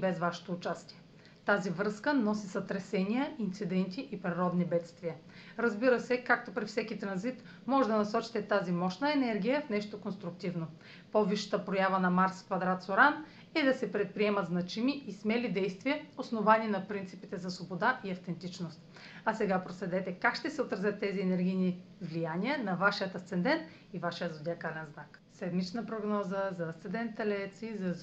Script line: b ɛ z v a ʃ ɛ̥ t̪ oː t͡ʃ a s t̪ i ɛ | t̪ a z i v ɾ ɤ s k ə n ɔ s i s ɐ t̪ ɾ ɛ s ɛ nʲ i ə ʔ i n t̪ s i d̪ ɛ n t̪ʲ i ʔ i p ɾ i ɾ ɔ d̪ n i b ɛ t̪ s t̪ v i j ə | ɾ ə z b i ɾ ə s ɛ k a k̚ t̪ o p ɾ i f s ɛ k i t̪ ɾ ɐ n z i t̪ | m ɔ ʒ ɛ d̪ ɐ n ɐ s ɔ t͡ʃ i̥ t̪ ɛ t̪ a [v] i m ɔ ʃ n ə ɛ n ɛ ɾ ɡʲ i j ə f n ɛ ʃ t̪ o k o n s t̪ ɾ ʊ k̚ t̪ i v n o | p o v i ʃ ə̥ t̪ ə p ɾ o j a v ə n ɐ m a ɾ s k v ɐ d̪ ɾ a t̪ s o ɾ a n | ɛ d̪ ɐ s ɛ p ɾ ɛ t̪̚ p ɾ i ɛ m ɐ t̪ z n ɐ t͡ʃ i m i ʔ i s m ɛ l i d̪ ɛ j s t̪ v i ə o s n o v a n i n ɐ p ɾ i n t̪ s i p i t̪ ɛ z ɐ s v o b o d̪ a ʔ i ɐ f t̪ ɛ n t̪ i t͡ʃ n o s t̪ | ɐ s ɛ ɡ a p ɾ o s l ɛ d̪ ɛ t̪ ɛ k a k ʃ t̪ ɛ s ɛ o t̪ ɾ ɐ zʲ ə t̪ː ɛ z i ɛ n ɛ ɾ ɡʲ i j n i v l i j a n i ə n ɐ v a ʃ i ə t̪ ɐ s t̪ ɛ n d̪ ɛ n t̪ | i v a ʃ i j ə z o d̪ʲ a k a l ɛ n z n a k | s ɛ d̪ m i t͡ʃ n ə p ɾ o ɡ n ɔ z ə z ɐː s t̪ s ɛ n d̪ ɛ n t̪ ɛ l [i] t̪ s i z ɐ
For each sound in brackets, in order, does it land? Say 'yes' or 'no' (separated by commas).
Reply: no, no